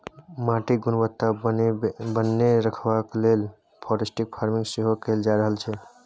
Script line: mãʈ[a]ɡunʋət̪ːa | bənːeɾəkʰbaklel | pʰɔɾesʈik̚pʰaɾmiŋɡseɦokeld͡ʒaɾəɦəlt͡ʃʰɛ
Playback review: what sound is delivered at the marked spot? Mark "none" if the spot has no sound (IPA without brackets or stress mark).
i